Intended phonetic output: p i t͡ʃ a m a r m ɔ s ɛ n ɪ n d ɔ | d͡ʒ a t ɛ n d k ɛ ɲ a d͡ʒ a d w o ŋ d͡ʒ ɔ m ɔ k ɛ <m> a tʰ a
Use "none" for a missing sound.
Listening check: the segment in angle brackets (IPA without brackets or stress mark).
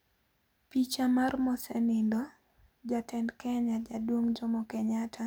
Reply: ɲ